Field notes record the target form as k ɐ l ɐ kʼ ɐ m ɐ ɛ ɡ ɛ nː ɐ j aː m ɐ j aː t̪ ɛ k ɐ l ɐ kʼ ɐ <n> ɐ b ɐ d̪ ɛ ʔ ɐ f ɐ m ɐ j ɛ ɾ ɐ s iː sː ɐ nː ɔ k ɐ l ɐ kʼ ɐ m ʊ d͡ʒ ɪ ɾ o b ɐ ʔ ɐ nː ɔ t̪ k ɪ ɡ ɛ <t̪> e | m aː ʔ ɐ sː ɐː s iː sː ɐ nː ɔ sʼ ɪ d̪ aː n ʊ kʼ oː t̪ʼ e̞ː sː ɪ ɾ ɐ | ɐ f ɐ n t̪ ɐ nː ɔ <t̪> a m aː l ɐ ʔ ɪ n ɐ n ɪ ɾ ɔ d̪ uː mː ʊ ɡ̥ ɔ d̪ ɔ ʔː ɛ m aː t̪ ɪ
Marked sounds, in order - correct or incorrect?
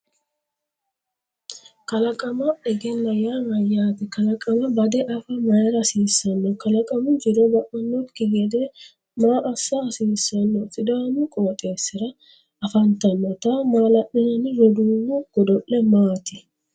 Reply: incorrect, incorrect, correct

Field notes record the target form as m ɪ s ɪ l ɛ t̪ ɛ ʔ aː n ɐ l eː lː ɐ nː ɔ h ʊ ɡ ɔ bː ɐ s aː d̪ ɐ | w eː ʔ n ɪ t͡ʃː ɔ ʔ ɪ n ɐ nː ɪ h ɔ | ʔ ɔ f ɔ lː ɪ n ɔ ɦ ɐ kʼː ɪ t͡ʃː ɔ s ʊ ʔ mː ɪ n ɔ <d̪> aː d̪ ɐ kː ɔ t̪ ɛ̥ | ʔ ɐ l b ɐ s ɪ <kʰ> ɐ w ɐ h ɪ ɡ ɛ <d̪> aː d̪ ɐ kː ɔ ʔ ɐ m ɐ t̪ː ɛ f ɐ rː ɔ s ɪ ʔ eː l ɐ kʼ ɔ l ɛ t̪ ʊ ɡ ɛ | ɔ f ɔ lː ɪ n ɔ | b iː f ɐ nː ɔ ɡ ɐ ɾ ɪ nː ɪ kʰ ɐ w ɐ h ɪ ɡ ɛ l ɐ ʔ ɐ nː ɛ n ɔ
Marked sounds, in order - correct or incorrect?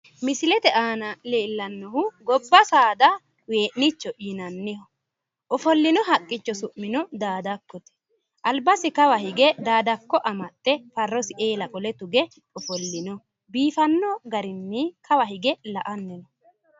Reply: correct, incorrect, correct

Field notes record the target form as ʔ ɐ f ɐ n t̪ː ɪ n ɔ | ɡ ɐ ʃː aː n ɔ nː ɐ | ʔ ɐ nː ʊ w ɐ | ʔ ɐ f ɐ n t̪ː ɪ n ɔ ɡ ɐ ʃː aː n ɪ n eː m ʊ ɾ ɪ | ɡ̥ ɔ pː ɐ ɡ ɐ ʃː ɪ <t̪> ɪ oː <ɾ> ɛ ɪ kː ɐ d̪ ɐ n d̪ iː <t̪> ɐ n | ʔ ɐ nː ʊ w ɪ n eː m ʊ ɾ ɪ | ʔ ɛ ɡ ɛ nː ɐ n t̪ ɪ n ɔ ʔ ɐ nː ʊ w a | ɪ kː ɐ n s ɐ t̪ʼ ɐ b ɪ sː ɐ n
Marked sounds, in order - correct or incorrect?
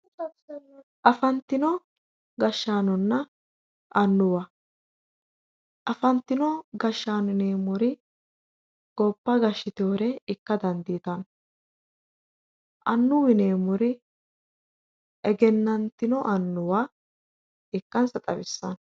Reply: correct, correct, correct

